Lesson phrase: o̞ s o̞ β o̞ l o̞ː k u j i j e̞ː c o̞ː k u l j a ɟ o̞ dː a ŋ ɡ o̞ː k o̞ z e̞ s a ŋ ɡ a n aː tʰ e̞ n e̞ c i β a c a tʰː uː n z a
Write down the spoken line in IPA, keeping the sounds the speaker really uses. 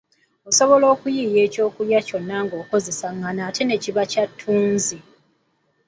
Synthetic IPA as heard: o̞ s o̞ β o̞ l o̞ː k u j i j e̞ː c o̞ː k u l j a c o̞ nː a ŋ ɡ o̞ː k o̞ z e̞ s a ŋ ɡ a n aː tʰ e̞ n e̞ c i β a c a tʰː uː n z i